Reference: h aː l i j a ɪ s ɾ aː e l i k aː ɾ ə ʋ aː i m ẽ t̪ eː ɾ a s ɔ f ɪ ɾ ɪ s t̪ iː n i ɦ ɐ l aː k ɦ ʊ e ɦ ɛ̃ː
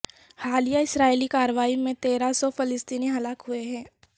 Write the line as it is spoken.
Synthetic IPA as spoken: h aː l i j a ɪ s ɾ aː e l i k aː ɾ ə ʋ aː i m ẽ t̪ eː ɾ a s ɔ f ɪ l ɪ s t̪ iː n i ɦ ɐ l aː k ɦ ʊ e ɦ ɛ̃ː